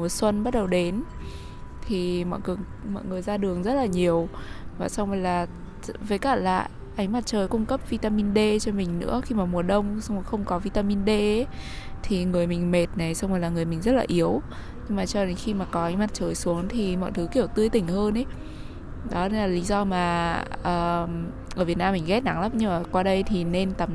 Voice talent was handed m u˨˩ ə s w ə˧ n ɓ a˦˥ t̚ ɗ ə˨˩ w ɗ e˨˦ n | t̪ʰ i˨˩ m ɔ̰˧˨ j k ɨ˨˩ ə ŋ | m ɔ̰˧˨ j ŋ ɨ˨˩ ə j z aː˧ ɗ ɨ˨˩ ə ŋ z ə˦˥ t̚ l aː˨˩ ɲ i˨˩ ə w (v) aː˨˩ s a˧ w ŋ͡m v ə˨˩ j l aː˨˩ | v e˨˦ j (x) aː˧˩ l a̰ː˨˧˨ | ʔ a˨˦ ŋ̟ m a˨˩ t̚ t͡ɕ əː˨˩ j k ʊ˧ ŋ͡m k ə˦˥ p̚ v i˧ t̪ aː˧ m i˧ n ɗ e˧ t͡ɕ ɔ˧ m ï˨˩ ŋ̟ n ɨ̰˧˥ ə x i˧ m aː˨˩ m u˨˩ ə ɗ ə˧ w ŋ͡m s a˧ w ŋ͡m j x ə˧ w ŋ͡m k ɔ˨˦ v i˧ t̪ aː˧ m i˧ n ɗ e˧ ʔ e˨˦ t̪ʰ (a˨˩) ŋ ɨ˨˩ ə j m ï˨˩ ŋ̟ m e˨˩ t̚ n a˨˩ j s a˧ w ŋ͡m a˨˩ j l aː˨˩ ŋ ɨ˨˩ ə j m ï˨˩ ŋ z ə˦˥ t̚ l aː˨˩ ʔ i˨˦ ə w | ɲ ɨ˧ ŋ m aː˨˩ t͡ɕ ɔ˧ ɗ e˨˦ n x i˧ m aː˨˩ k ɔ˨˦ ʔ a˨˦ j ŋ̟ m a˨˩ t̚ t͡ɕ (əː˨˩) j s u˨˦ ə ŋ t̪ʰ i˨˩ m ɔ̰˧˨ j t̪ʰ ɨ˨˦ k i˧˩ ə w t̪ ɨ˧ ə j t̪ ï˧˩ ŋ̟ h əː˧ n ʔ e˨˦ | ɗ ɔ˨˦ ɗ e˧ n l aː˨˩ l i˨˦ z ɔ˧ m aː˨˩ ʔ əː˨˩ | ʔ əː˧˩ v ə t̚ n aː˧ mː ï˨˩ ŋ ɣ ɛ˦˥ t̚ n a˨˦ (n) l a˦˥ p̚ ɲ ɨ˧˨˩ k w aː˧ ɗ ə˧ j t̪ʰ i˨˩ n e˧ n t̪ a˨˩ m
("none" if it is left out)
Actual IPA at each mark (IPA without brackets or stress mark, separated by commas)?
v, k, i˨˩, əː˨˩, ŋ